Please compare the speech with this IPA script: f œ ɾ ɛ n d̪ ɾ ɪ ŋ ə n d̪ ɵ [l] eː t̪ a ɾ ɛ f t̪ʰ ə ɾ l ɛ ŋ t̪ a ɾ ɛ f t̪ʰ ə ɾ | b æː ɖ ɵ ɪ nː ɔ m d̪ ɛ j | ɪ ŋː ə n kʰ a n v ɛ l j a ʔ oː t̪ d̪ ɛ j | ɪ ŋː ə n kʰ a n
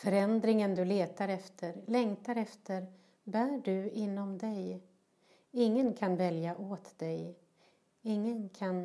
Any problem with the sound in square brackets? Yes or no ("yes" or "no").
no